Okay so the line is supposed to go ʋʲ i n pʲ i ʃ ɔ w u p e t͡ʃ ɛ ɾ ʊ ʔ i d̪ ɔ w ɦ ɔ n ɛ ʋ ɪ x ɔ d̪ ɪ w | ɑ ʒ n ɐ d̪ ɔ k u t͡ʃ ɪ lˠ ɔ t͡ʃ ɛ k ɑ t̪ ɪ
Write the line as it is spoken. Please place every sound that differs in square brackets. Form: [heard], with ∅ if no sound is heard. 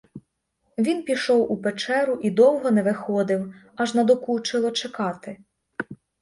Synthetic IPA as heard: ʋʲ i n pʲ i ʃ ɔ w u p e t͡ʃ ɛ ɾ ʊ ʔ i d̪ ɔ w ɦ ɔ n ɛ ʋ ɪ x ɔ d̪ ɪ w | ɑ ʒ n ɐ d̪ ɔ k u t͡ʃ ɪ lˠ ɔ t͡ʃ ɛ k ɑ t̪ ɪ